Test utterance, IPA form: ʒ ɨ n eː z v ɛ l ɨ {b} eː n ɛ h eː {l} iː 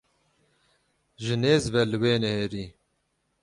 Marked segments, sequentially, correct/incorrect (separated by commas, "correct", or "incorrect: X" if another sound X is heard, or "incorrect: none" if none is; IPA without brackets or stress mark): incorrect: w, incorrect: ɾ